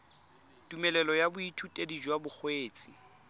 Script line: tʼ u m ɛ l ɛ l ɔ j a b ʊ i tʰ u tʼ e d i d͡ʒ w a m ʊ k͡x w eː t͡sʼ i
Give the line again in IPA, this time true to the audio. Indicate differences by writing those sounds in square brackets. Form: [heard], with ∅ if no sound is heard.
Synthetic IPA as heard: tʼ u m ɛ l ɛ l ɔ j a b ʊ i tʰ u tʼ e d i d͡ʒ w a [b] ʊ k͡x w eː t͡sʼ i